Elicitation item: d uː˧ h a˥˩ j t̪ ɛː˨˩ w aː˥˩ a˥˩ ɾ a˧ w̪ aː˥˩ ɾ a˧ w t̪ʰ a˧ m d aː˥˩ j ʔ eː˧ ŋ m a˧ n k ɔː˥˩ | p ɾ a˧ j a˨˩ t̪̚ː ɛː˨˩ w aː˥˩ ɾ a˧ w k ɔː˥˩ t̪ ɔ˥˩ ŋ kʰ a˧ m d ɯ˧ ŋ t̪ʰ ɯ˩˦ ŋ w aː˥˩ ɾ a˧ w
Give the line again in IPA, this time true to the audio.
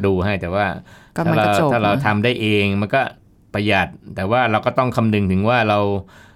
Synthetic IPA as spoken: d uː˧ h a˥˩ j t̪ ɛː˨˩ w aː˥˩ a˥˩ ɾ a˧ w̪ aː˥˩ ɾ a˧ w t̪ʰ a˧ m d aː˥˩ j ʔ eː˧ ŋ m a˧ n k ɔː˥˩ | p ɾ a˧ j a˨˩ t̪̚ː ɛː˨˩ w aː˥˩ ɾ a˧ w k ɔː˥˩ t̪ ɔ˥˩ ŋ kʰ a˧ m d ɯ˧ ŋ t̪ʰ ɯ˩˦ ŋ w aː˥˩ ɾ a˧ w